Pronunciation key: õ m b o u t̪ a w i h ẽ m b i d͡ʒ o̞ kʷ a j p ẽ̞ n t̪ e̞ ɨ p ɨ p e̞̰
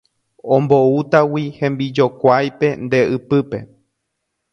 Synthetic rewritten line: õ m b o u t̪ a w i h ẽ m b i d͡ʒ o̞ kʷ a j p e̞ n d̪ e̞ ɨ p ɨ p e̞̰